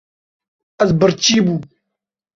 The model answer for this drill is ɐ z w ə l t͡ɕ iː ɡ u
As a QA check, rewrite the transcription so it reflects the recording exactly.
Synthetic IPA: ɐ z b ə ɾ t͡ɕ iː b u